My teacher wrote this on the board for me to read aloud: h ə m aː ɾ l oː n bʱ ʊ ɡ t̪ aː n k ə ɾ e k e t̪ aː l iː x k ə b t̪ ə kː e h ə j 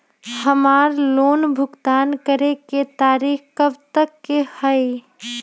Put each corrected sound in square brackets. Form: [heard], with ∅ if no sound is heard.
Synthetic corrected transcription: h ə m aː ɾ l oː n bʱ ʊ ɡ t̪ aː n k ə ɾ e k e t̪ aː [ɾ] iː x k ə b t̪ ə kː e h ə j